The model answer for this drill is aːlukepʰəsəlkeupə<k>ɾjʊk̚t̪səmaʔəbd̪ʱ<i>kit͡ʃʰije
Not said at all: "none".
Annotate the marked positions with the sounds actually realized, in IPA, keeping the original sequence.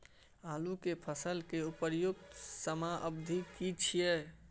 none, i

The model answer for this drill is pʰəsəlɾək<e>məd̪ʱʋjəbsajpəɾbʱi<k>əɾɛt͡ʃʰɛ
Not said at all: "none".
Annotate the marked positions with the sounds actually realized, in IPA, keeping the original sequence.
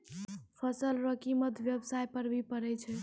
i, p

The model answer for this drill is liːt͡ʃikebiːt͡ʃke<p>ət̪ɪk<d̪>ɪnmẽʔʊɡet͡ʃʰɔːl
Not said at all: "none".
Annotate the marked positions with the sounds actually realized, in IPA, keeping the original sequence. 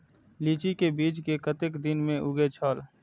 k, d̪

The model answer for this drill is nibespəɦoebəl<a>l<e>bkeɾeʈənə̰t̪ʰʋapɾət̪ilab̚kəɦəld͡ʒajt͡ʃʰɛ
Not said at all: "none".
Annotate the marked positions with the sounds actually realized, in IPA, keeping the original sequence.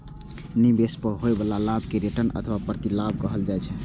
a, a

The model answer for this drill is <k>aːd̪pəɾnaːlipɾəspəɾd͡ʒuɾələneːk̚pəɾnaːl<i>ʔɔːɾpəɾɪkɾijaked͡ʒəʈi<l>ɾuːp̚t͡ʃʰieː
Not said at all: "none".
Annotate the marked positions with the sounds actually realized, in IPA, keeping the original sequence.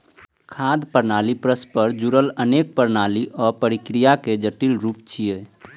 kʰ, i, l

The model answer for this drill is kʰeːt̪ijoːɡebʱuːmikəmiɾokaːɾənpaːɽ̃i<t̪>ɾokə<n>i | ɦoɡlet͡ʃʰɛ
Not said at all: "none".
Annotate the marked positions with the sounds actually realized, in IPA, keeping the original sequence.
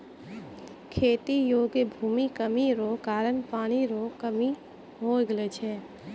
none, m

